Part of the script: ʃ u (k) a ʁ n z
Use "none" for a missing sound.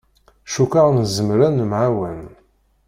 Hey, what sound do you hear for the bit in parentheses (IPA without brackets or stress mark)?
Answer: k